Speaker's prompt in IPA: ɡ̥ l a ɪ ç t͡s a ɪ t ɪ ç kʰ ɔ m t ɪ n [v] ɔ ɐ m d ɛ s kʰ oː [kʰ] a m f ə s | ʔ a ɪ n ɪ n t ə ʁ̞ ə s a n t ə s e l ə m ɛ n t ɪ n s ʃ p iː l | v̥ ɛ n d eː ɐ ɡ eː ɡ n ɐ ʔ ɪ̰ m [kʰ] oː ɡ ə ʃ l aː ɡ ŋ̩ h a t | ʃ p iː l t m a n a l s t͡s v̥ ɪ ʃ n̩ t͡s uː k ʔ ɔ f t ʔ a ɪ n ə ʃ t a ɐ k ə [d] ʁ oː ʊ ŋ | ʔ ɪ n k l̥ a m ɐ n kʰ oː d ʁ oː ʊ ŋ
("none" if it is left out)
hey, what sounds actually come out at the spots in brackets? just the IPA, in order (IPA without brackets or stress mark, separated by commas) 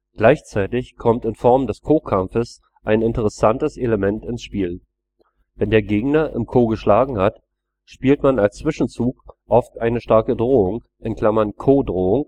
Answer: f, kʰ, kʰ, d